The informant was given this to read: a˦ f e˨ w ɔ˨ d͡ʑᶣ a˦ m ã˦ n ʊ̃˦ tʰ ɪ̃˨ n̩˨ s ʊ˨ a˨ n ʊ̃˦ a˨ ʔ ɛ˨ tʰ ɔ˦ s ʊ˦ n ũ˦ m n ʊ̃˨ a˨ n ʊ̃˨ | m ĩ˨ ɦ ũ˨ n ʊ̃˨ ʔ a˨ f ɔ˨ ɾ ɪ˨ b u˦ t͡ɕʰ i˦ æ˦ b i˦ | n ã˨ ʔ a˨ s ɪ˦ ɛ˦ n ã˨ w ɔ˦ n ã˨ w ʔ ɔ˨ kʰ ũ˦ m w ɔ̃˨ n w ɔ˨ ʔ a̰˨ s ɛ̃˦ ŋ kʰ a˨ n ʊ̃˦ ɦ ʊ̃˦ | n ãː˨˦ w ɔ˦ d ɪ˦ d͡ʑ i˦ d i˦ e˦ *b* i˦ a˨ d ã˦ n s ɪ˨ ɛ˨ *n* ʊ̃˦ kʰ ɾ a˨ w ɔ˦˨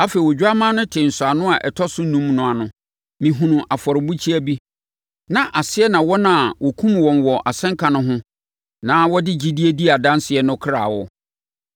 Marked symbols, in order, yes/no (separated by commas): no, yes